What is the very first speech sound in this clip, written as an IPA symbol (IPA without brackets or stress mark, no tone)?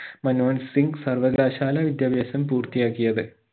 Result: m